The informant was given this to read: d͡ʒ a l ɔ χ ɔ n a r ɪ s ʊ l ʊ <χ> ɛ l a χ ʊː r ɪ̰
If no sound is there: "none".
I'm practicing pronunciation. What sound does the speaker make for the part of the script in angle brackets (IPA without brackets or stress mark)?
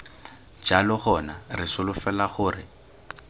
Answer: f